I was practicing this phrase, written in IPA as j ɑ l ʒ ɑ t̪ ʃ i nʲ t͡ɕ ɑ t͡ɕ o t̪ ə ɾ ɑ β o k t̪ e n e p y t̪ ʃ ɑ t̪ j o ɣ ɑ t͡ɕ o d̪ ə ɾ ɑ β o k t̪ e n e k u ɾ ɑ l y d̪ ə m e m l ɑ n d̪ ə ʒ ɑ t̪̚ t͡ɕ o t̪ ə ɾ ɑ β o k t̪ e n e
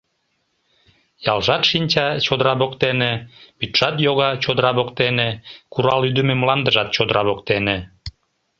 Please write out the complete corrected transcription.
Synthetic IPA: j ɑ l ʒ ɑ t̪ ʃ i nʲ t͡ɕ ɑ t͡ɕ o d̪ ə ɾ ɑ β o k t̪ e n e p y t̪ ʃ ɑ t̪ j o ɣ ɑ t͡ɕ o d̪ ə ɾ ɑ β o k t̪ e n e k u ɾ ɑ l y d̪ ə m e m l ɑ n d̪ ə ʒ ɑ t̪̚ t͡ɕ o d̪ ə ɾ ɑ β o k t̪ e n e